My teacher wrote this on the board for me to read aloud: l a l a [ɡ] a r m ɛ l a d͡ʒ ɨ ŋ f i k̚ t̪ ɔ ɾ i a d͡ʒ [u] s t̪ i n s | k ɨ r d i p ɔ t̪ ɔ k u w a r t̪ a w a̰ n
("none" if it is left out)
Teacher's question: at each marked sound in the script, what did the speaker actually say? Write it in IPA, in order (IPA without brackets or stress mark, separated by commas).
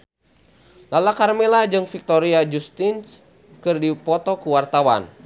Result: k, u